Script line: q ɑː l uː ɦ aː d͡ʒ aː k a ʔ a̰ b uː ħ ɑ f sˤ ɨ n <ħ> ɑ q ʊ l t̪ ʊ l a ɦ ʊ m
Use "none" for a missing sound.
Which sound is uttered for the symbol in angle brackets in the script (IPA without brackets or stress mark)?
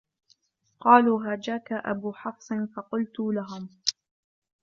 f